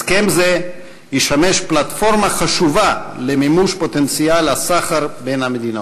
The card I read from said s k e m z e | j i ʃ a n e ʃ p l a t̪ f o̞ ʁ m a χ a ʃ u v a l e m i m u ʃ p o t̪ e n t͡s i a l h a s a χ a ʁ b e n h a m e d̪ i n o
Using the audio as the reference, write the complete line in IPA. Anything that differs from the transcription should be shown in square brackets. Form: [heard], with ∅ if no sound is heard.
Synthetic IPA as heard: s k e m z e | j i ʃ a [m] e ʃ p l a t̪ f o̞ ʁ m a χ a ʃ u v a l e m i m u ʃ p o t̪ e n t͡s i a l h a s a χ a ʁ b e n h a m e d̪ i n o